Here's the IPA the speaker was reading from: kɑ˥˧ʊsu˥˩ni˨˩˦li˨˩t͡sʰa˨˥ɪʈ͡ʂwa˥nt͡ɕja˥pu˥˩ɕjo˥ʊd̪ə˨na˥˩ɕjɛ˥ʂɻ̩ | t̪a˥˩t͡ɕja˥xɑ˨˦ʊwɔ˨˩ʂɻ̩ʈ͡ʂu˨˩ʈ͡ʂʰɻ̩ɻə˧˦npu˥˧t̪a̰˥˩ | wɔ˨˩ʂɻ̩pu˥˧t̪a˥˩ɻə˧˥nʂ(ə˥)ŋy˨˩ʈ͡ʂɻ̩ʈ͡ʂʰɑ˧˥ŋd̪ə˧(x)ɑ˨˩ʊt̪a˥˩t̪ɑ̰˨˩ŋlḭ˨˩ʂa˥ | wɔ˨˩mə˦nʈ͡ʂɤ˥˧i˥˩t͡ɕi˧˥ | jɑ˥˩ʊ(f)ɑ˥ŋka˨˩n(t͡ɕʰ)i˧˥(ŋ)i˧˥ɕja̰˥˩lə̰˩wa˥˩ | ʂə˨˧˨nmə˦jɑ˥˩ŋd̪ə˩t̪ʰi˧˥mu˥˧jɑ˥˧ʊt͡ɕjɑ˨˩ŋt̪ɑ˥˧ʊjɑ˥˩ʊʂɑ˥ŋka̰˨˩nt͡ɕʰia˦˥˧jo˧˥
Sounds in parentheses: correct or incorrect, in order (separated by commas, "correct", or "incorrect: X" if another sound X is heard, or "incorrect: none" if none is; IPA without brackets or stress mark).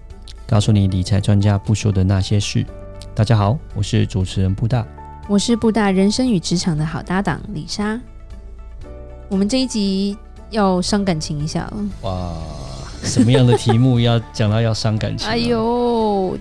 correct, correct, incorrect: ʂ, correct, correct